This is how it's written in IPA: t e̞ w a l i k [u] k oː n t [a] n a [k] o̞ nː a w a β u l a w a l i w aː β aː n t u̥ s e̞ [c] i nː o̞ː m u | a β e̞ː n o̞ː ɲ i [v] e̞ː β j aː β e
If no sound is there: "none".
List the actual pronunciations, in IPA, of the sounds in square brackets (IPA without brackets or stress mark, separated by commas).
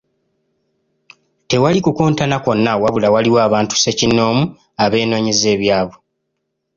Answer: u, a, k, c, z